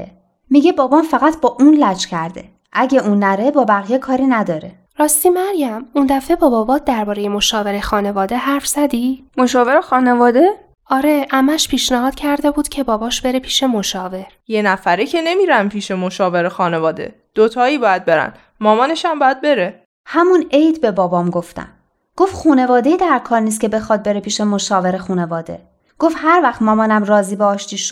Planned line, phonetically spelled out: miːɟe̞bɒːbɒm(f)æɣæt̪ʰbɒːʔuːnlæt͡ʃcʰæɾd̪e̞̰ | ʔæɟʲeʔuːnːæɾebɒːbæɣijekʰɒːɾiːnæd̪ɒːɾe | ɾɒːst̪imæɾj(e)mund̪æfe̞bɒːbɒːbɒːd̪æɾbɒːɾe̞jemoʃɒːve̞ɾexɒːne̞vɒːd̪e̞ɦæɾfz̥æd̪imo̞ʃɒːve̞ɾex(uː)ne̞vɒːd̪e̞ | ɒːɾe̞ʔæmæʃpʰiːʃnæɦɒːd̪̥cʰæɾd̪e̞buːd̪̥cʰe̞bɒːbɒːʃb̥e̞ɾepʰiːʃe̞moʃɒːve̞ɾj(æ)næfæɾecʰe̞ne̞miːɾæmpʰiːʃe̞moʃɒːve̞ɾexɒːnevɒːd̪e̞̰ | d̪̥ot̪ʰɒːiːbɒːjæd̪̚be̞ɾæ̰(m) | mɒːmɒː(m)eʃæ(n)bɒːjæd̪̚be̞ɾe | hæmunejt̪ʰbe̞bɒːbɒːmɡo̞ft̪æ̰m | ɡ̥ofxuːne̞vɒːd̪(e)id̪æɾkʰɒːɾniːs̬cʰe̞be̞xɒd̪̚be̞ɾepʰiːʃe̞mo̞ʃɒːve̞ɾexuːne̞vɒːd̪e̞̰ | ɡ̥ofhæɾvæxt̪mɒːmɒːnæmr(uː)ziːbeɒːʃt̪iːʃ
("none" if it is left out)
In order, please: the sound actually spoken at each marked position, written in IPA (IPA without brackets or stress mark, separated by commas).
f, æ, ɒː, e, n, n, m, e, ɒː